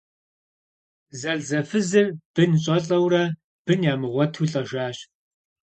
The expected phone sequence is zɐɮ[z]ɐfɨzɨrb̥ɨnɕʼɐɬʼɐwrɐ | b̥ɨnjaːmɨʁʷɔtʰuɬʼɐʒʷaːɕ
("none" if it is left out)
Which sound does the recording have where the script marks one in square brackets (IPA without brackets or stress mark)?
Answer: z